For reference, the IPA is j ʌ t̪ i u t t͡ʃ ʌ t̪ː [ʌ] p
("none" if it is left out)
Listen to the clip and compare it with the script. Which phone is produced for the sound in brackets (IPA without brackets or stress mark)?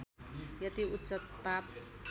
a